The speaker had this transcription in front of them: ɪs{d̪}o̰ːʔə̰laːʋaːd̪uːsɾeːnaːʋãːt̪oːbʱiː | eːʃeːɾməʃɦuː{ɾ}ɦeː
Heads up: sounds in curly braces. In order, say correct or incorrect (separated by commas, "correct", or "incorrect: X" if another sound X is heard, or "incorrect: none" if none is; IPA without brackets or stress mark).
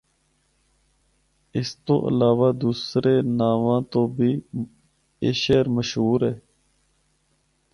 incorrect: t̪, correct